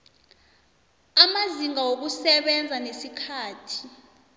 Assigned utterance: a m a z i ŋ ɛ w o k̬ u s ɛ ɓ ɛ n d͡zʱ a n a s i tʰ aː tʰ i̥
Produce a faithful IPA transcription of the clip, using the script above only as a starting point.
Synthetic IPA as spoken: a m a z i ŋ a w o k̬ u s ɛ ɓ ɛ n d͡zʱ a n e s i kʰ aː tʰ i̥